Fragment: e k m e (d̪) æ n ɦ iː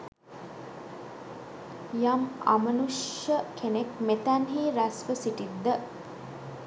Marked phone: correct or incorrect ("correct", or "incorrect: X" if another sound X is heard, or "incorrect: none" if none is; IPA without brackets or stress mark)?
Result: incorrect: t̪